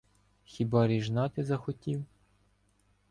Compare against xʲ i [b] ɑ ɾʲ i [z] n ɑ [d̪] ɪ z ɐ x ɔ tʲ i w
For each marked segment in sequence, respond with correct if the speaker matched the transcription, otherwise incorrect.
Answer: correct, incorrect: ʒ, incorrect: t̪

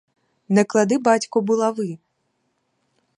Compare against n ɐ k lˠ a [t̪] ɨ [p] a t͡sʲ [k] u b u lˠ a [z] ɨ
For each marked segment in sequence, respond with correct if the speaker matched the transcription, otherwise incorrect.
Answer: incorrect: d̪, incorrect: b, correct, incorrect: v

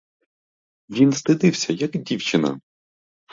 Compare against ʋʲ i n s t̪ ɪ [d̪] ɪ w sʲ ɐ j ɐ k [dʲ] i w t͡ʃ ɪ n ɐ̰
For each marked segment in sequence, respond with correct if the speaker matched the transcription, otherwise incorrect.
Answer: correct, correct

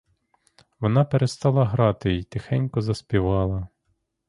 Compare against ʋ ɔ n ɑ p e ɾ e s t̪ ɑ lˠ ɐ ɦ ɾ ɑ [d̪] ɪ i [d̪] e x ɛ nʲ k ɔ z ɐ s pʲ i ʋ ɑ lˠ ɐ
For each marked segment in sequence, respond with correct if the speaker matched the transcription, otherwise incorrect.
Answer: incorrect: t̪, incorrect: t̪

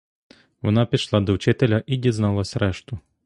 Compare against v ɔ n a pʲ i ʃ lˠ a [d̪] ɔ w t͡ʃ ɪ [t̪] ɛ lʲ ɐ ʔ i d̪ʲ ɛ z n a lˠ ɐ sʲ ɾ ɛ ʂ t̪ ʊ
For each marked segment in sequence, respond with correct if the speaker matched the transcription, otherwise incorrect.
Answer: correct, correct

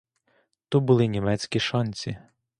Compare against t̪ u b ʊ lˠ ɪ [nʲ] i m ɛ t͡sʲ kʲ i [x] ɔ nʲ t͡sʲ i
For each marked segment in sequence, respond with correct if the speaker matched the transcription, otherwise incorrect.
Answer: correct, incorrect: ʃ

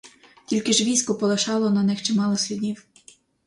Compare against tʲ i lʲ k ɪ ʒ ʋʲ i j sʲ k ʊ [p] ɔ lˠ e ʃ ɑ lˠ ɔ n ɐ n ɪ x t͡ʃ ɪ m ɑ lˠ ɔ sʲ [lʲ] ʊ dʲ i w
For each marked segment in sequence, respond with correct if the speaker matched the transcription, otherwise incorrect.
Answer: correct, correct

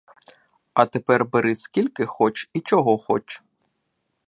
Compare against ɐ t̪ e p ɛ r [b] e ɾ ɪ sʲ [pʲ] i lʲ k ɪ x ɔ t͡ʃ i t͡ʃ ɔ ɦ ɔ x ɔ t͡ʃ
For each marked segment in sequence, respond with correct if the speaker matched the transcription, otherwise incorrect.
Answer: correct, incorrect: kʲ

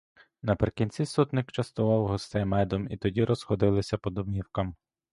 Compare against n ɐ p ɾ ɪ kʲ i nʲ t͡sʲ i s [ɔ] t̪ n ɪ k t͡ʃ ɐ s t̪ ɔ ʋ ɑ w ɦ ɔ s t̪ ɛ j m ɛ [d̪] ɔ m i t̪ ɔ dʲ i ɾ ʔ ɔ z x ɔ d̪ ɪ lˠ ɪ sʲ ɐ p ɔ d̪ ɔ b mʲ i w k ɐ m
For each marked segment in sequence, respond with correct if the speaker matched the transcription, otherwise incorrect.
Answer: incorrect: u, correct

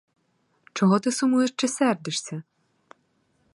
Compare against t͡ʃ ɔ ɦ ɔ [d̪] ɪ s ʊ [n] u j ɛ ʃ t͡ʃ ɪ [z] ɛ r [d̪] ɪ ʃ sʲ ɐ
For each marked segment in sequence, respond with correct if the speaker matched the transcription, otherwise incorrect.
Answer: incorrect: t̪, incorrect: m, incorrect: s, correct

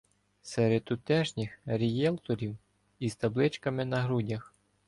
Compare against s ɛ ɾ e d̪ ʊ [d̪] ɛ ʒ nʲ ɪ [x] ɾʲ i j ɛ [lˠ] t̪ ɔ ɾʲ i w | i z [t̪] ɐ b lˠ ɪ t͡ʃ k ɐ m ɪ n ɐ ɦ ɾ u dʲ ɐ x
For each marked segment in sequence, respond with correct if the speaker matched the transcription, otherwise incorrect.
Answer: incorrect: t̪, correct, correct, correct

